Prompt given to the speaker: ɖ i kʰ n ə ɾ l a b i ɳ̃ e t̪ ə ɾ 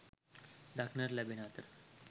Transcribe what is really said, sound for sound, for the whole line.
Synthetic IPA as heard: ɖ a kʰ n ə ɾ l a b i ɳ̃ a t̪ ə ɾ

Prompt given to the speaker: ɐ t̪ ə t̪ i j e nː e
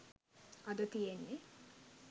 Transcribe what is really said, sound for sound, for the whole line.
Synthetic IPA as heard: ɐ d̪ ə t̪ i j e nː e

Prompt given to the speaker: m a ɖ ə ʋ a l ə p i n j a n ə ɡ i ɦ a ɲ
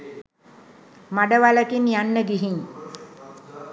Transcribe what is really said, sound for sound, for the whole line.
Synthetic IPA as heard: m a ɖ ə ʋ a l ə k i n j a nː ə ɡ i ɦ i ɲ

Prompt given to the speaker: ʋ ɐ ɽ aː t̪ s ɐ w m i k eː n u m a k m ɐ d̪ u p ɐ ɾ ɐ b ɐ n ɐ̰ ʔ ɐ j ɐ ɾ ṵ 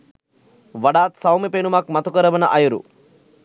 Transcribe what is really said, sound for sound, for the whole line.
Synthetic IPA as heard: ʋ ɐ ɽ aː t̪ s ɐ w m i p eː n u m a k m ɐ t̪ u k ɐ ɾ ɐ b ɐ n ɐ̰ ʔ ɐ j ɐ ɾ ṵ

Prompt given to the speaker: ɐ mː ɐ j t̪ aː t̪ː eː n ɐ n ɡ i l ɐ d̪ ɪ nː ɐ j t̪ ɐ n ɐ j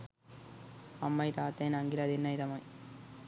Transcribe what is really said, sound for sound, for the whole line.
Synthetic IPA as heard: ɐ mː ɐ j t̪ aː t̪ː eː n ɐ ŋ ɡ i l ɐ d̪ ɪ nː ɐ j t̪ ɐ m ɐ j

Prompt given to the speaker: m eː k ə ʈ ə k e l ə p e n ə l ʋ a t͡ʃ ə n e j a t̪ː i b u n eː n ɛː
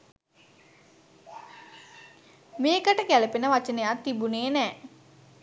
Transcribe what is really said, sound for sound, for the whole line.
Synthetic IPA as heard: m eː k ə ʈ ə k æ l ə p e n ə ʋ a t͡ʃ ə n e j a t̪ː i b u n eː n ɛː

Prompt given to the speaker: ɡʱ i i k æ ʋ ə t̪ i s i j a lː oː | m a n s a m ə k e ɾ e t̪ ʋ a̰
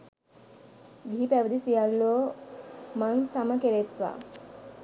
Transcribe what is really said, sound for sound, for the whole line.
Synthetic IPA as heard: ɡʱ i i p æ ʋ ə d̪ i s i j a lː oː | m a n s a m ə k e ɾ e t̪ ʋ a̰

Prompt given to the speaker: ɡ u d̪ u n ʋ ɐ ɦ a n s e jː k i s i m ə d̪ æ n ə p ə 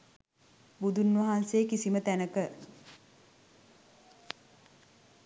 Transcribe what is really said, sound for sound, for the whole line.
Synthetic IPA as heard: b u d̪ u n ʋ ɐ ɦ a n s e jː k i s i m ə t̪ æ n ə k ə

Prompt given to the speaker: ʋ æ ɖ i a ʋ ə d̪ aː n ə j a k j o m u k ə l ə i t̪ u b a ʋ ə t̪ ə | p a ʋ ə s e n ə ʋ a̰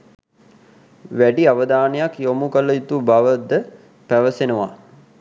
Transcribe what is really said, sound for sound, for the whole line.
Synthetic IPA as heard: ʋ æ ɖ i a ʋ ə d̪ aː n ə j a k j o m u k ə l ə i t̪ u b a ʋ ə d̪ ə | p æ ʋ ə s e n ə ʋ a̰

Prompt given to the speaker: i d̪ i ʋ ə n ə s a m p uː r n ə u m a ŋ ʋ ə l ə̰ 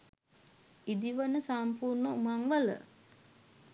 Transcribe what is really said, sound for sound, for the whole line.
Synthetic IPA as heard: i d̪ i ʋ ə n ə s a m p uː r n ə u m a ŋ ʋ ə l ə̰

